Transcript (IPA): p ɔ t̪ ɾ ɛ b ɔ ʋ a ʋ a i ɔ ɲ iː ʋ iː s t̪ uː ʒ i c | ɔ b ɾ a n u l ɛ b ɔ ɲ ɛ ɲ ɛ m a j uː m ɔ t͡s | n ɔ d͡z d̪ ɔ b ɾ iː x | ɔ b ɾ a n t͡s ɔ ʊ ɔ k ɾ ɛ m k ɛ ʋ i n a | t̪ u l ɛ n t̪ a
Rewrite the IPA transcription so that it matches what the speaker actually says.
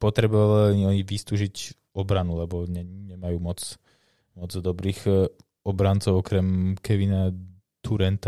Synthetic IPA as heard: p ɔ t̪ ɾ ɛ b ɔ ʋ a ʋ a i ɔ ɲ i ʋ i s t̪ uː ʒ i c | ɔ b ɾ a n u l ɛ b ɔ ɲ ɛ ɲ ɛ m a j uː m ɔ t͡s | m ɔ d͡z d̪ ɔ b ɾ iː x | ɔ b ɾ a n t͡s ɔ ʊ ɔ k ɾ ɛ m k ɛ ʋ i n a | t̪ u ɾ ɛ n t̪ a